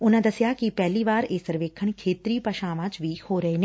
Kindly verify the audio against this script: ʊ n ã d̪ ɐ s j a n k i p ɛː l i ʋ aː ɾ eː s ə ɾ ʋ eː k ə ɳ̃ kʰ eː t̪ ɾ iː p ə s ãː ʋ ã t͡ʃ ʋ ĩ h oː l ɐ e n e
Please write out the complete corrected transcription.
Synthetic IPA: ʊ n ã d̪ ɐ s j a k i p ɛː l i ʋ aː ɾ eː s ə ɾ ʋ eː kʰ ə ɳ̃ kʰ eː t̪ ɾ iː p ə ʃ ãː ʋ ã t͡ʃ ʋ i h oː ɾ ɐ e n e